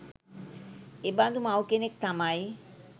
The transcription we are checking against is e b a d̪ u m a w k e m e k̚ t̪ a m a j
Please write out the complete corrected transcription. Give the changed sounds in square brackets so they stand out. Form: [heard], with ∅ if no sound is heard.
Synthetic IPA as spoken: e b a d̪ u m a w k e [n] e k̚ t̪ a m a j